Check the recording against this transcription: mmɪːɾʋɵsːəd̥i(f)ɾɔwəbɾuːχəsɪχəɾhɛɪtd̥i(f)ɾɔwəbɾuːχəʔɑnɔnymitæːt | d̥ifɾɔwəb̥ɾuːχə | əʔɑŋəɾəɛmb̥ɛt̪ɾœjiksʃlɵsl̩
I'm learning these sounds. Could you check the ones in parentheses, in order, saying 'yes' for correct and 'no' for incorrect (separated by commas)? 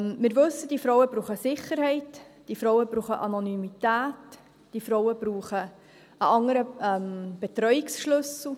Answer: yes, yes